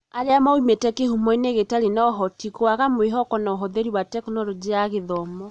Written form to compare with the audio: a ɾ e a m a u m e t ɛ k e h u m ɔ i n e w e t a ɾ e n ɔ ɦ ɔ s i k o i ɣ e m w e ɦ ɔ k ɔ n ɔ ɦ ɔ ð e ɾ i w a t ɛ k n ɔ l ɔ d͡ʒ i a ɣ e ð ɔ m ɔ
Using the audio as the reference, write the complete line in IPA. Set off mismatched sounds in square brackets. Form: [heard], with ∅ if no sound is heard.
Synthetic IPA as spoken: a ɾ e a m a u m e t ɛ k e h u m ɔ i n e [ɣ] e t a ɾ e n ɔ ɦ ɔ [t] i k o [a] ɣ [a] m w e ɦ ɔ k ɔ n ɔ ɦ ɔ ð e ɾ i w a t ɛ k n ɔ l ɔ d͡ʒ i a ɣ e ð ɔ m ɔ

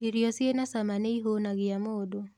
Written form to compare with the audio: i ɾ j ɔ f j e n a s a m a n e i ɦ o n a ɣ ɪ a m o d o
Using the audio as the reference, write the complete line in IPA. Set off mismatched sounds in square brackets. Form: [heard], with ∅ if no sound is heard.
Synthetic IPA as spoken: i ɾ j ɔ [s] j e n a s a m a n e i ɦ o n a ɣ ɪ a m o d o

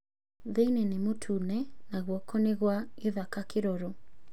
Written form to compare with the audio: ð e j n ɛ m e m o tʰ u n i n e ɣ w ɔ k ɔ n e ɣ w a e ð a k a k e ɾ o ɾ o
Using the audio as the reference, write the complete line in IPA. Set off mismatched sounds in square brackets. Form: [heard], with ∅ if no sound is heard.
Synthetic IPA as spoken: ð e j n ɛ [n] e m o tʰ u n [ɛ] n [a] ɣ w ɔ k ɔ n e ɣ w a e ð a k a k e ɾ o ɾ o

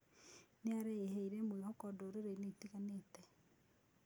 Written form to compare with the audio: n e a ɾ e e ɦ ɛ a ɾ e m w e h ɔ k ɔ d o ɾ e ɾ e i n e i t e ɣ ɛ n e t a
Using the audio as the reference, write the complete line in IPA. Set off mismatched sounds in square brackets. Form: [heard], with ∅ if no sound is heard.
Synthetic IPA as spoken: n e a ɾ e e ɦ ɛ [i] ɾ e m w e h ɔ k ɔ d o ɾ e ɾ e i n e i t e ɣ [a] n e t [ɛ]

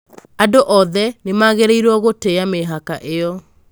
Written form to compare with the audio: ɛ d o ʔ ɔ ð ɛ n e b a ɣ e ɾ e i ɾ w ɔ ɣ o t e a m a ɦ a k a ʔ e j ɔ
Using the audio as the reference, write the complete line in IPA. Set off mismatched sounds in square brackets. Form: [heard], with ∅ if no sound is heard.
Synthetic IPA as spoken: [a] d o ʔ ɔ ð ɛ n e [m] a ɣ e ɾ e i ɾ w ɔ ɣ o t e a m [e] ɦ a k a ʔ e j ɔ

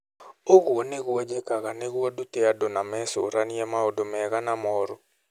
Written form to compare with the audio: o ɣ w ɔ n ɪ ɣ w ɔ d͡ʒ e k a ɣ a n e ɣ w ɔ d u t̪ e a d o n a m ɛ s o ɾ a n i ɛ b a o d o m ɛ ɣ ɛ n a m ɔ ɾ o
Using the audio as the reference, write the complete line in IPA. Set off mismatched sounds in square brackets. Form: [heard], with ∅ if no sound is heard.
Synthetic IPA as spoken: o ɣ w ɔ n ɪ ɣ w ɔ d͡ʒ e k a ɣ a n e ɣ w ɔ d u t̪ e a d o n a m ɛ s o ɾ a n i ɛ [m] a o d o m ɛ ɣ [a] n a m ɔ ɾ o

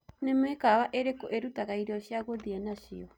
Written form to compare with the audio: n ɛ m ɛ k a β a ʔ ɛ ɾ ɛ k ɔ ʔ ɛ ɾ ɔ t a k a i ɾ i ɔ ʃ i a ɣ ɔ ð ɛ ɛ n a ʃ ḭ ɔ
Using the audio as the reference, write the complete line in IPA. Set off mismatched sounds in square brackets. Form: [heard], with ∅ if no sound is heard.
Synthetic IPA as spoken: n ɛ m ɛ k a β a ʔ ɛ ɾ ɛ k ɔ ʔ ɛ ɾ [u] t a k a i ɾ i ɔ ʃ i a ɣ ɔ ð [i] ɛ n a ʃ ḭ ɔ

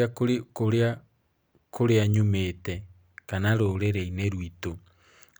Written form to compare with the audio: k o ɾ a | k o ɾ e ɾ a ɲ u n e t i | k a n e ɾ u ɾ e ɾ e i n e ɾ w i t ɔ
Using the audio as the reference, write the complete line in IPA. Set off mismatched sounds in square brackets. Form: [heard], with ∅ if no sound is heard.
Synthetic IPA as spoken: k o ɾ a | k o ɾ e [∅] a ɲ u [m] e t [ɛ] | k a n [a] ɾ [o] ɾ e ɾ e i n e ɾ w i t [o]

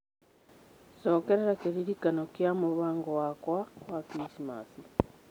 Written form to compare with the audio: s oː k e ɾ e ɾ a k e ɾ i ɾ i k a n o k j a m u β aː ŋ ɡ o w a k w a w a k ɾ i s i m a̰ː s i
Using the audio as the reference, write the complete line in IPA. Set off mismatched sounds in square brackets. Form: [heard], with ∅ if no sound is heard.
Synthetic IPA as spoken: s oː k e ɾ e ɾ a k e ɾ i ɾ i k a n o k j a m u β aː ŋ ɡ o w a k w a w a k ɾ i s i m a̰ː s i

